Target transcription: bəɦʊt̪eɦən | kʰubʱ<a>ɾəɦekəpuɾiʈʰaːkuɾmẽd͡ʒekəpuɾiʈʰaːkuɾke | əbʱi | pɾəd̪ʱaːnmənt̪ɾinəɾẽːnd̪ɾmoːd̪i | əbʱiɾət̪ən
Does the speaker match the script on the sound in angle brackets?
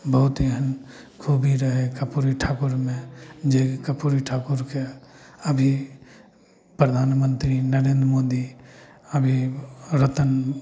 no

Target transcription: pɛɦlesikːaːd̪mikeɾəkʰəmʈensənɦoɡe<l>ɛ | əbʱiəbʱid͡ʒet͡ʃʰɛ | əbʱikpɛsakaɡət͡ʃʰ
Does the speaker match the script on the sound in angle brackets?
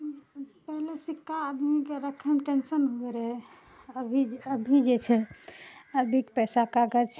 no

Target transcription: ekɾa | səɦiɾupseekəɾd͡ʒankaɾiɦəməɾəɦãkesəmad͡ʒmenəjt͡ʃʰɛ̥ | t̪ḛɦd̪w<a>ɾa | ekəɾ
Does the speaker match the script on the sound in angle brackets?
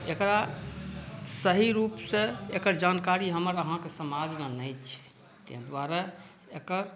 yes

